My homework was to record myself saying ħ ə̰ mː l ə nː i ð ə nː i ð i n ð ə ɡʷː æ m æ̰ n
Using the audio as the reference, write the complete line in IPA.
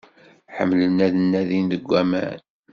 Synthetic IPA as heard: ħ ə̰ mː l ə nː æ ð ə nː æ ð i n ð ə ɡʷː æ m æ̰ n